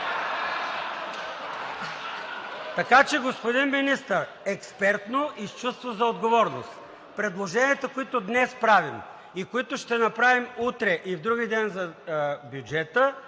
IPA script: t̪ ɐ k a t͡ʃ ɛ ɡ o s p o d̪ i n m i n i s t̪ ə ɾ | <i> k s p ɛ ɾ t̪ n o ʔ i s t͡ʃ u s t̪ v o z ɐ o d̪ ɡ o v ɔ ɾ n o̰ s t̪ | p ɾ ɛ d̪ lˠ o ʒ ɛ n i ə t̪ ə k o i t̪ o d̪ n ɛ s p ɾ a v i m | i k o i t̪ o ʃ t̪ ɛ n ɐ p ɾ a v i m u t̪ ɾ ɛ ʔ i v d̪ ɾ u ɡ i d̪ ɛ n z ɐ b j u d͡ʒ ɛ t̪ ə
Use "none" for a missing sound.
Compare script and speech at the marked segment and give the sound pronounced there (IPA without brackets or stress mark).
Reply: ɛ